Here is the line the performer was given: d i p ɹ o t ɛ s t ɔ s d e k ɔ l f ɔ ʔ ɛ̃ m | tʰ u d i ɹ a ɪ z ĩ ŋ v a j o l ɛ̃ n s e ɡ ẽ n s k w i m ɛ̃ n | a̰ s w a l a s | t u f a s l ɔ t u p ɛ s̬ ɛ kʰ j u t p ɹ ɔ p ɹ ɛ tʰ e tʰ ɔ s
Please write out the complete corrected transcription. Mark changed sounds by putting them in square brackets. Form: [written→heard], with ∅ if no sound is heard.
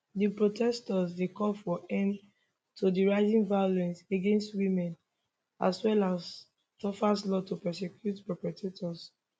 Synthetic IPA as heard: d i p ɹ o t ɛ s t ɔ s d e k ɔ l f ɔ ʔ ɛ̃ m | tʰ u d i ɹ a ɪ z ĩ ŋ v a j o l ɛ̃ n s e ɡ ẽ n s [k→t] w i m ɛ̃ n | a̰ s w [a→ɛ] l a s | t [u→ɔ] f a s l ɔ t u p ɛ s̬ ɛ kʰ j u t p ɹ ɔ p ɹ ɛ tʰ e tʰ ɔ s

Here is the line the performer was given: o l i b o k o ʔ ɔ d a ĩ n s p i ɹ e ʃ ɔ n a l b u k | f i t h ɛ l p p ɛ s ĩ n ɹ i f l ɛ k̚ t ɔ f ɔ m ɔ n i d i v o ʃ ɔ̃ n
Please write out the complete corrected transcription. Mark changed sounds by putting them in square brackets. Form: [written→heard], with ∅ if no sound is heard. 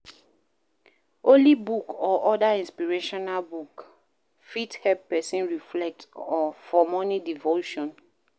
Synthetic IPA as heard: o l i b [o→u] k [o→ɔ] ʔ ɔ d a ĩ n s p i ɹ e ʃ ɔ n a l b u k | f i t h ɛ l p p ɛ s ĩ n ɹ i f l ɛ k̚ t ɔ f ɔ m ɔ n i d i v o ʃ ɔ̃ n

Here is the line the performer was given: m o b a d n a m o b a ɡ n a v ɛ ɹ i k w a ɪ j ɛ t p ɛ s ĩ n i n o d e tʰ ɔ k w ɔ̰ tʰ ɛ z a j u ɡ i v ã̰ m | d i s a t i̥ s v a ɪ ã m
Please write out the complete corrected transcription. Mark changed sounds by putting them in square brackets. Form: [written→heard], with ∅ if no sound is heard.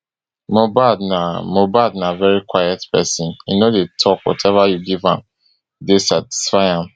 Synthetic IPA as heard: m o b a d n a m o b a [ɡ→d] n a v ɛ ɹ i k w a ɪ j ɛ t p ɛ s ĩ n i n o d e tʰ ɔ k w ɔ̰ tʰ ɛ [z→v] a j u ɡ i v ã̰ m | d [i→e] s a t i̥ s [v→f] a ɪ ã m

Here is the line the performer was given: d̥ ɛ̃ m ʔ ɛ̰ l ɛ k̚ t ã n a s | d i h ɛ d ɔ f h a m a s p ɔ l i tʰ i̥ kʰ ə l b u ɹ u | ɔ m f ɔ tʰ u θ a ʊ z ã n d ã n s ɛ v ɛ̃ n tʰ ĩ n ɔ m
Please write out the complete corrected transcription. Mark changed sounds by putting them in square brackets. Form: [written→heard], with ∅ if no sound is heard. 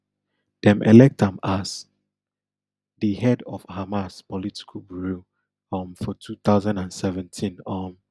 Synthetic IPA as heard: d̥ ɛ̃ m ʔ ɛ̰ l ɛ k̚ t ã [n→m] a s | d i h ɛ d ɔ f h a m a s p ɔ l i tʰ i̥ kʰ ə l b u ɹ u | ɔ m f ɔ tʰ u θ a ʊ z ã n d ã n s ɛ v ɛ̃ n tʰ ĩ n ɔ m

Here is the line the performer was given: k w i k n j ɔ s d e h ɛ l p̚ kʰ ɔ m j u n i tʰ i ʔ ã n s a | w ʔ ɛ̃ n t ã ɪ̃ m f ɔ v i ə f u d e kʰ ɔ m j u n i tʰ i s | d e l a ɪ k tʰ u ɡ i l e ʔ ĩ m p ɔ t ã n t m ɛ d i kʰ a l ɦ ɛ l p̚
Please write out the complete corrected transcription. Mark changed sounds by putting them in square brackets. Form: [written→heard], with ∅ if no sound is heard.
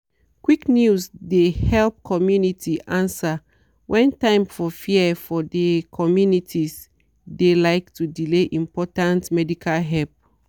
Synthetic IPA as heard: k w i k n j [ɔ→u] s d e h ɛ l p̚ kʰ ɔ m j u n i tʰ i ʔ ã n s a | w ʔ ɛ̃ n t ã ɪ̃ m f ɔ [v→f] i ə f [u→ɔ] d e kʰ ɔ m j u n i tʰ i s | d e l a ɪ k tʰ u [ɡ→d] i l e ʔ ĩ m p ɔ t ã n t m ɛ d i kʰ a l ɦ ɛ l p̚

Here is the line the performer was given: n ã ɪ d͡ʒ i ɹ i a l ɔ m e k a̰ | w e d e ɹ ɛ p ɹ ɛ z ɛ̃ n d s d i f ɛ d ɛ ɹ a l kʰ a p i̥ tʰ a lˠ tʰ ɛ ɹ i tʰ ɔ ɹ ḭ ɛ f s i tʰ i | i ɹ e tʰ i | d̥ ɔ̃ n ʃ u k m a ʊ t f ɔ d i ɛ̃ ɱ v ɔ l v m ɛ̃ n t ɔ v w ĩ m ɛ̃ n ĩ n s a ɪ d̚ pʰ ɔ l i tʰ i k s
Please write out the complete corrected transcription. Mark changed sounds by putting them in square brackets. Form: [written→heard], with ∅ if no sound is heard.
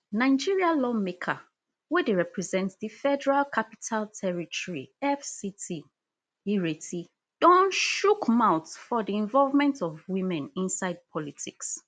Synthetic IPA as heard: n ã ɪ d͡ʒ i ɹ i a l ɔ m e [k→kʰ] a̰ | w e d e ɹ ɛ p ɹ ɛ z ɛ̃ n [d→t] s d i f ɛ d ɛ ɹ a l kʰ a p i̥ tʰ a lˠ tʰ ɛ ɹ i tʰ ɔ ɹ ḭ ɛ f s i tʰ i | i ɹ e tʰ i | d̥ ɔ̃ n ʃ u k m a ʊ t f ɔ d i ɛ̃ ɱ v ɔ l v m ɛ̃ n t ɔ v w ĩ m ɛ̃ n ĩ n s a ɪ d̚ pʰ ɔ l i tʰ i k s

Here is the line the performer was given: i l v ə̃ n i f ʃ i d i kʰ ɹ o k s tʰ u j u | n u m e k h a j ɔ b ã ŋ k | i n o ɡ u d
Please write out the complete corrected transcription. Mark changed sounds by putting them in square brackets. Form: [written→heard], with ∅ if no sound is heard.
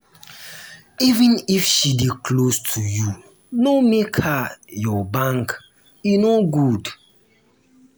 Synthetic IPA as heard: i [l→∅] v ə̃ n i f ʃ i d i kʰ [ɹ→l] o [k→∅] s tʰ u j u | n [u→o] m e k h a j ɔ b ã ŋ k | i n o ɡ u d

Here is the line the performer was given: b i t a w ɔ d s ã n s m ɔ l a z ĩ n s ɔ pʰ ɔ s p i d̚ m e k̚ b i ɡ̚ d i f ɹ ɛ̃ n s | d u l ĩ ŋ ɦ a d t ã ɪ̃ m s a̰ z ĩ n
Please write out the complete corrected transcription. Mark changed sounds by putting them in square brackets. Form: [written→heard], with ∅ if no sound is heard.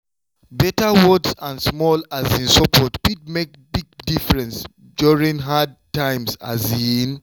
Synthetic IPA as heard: b [i→ɛ] t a w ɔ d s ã n s m ɔ l a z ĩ n s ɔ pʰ ɔ [s→t] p i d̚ m e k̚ b i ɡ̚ d i f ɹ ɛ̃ n s | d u [l→ɹ] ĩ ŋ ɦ a d t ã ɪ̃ m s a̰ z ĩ n

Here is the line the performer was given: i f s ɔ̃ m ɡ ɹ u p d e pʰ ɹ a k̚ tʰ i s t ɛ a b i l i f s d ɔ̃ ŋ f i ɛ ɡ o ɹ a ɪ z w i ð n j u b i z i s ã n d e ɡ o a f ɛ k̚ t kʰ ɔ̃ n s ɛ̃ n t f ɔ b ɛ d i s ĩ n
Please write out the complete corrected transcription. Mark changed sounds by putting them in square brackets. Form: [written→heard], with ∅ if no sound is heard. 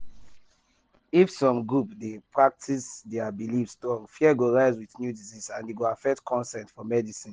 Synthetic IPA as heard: i f s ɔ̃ m ɡ ɹ u p d e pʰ ɹ a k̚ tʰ i s [t→d] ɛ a b i l i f s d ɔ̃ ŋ f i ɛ ɡ o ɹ a ɪ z w i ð n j u [b→d] i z i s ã n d e ɡ o a f ɛ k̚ t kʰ ɔ̃ n s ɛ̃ n t f ɔ [b→m] ɛ d i s ĩ n

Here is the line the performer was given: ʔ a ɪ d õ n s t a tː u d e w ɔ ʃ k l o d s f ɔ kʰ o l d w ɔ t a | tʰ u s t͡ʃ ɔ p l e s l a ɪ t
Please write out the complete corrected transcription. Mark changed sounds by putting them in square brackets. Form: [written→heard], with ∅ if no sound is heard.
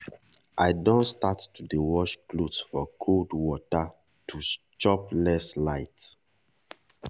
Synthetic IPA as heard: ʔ a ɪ d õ n s t a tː u d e w ɔ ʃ k l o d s f ɔ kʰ o l d w ɔ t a | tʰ u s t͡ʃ ɔ p l [e→ɛ] s l a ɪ t

